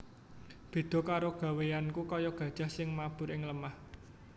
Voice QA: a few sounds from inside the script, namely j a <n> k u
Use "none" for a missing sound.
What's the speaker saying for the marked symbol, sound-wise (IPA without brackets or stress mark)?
n